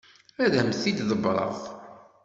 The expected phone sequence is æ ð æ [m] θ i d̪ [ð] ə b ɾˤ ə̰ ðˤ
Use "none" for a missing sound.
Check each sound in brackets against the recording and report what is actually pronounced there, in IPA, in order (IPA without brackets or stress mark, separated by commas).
m, ð